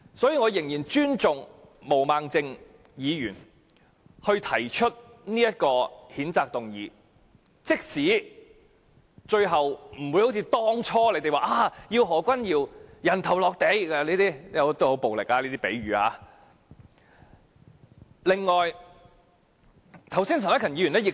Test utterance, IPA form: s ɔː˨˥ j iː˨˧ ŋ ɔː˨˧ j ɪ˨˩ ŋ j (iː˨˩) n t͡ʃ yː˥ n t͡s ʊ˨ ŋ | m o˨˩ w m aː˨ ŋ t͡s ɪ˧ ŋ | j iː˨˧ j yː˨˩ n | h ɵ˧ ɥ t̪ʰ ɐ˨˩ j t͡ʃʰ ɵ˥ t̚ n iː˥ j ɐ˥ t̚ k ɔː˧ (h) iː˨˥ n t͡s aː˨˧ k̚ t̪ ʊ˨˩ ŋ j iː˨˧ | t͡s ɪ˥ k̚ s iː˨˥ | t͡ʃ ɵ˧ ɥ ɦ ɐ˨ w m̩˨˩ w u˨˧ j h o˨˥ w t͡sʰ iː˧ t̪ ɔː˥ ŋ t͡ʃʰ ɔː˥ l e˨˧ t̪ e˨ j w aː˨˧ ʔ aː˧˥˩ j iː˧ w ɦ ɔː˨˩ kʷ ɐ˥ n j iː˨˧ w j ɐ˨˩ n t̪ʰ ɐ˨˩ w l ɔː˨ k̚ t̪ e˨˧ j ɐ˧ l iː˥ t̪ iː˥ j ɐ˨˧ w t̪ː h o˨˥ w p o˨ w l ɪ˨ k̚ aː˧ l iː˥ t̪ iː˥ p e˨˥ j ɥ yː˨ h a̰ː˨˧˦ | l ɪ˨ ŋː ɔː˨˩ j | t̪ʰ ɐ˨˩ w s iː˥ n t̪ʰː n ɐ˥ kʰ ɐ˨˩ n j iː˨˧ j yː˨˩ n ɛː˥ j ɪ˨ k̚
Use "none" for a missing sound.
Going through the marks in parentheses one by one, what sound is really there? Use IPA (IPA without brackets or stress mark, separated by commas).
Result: iː˨˩, h